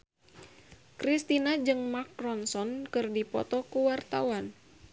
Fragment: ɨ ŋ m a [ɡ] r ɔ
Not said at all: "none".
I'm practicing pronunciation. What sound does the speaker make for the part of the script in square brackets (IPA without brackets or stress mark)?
k